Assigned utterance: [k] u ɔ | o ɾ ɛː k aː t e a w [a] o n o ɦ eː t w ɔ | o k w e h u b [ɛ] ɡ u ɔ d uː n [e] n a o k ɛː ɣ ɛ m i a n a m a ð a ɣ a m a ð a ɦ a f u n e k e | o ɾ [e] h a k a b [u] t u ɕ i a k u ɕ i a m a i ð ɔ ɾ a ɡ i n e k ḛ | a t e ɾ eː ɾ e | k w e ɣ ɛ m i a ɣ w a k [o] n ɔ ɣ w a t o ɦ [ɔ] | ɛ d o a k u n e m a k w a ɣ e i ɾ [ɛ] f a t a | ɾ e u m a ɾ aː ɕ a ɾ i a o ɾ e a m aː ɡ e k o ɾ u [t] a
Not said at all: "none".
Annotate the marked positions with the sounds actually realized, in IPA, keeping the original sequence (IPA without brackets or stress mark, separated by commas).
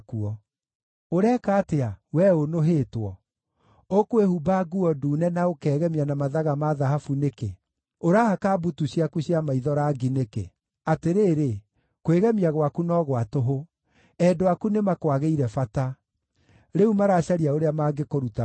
k, ɛ, a, ɛ, a, u, u, o, ɛ, t